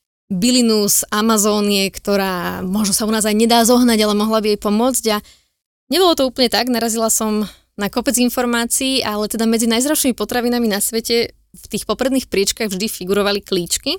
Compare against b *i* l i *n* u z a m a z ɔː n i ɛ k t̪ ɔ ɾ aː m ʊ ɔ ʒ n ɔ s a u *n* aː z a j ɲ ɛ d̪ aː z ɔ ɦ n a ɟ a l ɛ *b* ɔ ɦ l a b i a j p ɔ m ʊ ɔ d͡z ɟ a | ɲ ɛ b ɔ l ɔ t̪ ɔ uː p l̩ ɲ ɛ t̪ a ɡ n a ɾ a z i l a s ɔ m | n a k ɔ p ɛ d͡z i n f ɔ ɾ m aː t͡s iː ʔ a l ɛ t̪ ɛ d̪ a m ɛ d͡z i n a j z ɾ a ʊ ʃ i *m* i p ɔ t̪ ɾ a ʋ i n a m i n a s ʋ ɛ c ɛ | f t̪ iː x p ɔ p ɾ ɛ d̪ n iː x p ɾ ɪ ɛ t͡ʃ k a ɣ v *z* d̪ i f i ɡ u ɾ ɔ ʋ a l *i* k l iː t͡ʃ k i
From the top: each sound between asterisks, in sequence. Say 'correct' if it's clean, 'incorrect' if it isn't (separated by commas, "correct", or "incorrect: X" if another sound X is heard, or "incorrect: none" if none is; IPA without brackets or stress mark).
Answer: correct, correct, correct, incorrect: m, correct, incorrect: ʒ, correct